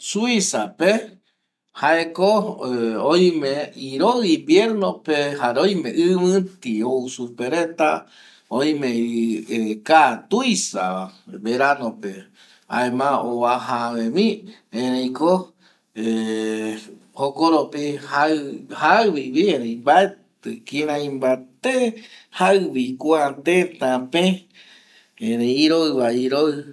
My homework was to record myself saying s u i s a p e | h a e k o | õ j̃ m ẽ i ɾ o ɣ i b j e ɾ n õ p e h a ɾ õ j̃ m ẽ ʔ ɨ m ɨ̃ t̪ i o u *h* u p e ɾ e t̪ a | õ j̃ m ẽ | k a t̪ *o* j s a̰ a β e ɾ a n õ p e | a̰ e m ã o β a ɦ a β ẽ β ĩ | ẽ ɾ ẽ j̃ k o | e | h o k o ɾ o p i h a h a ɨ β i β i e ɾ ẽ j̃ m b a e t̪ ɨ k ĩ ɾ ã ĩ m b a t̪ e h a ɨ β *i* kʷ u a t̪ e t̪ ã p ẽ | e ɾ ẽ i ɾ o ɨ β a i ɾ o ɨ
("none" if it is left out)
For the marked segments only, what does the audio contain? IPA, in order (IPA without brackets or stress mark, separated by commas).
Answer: s, u, i